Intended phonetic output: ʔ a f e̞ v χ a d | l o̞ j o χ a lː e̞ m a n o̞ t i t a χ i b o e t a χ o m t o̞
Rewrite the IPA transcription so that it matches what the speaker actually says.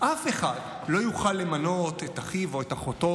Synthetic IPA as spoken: ʔ a f e̞ χ a d | l o̞ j u χ a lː e̞ m a n o̞ t e t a χ i v o e t a χ o t o̞